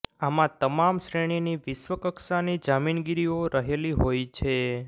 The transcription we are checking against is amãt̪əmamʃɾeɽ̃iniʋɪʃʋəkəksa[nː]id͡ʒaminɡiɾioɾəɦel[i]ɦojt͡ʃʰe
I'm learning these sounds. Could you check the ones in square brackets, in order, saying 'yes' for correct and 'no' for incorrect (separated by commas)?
no, yes